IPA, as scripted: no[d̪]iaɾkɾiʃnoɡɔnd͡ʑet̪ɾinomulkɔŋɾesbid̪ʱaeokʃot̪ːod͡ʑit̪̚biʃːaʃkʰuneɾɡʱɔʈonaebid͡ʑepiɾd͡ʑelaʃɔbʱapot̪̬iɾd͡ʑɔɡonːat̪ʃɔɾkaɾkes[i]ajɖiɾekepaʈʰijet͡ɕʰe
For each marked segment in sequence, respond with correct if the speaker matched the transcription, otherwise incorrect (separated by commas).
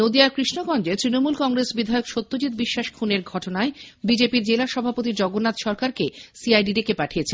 correct, correct